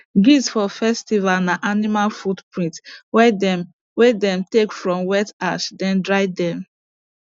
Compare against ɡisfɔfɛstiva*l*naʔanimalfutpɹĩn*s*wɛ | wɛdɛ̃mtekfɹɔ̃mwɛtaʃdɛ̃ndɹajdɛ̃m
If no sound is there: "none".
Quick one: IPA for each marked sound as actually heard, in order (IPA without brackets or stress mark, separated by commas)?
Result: l, t